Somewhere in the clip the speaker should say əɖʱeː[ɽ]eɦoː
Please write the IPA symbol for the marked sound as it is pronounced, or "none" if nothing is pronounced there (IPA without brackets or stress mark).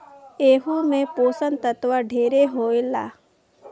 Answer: ɾ